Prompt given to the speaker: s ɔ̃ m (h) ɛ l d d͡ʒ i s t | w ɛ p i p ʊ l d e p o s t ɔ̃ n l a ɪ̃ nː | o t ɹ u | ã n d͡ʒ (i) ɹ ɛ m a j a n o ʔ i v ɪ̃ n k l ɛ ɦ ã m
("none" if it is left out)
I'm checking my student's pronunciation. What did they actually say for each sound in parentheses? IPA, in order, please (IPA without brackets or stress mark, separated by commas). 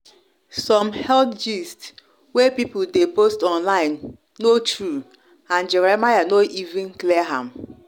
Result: h, ɛ